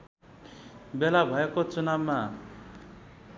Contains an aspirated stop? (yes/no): no